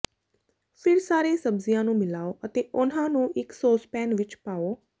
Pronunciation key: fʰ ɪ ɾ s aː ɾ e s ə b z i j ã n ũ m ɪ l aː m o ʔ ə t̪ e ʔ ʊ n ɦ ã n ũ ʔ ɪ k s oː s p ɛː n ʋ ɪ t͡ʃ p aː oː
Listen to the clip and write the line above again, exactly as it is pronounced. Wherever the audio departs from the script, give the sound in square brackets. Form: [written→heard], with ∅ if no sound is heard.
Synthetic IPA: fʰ ɪ ɾ s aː ɾ e s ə b z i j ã n ũ m ɪ l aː [m→∅] o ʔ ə t̪ e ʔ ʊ n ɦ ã n ũ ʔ ɪ k s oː s p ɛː n ʋ ɪ t͡ʃ p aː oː